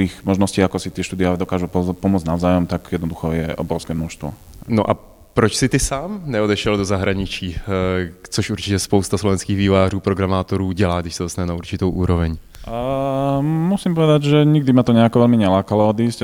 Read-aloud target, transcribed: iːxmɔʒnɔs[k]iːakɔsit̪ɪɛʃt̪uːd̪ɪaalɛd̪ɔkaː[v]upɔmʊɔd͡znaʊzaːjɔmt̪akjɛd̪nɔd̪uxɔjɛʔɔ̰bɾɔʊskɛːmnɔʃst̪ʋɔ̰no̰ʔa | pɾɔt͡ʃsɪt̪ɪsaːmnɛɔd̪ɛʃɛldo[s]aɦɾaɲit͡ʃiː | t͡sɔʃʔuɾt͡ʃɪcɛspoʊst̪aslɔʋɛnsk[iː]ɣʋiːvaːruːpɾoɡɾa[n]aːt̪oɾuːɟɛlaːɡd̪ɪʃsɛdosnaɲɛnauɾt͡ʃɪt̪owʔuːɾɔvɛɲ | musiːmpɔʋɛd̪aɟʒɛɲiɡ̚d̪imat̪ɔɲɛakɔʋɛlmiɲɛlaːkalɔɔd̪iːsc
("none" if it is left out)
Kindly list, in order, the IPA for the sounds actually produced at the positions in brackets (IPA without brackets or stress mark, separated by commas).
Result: c, ʒ, z, iː, m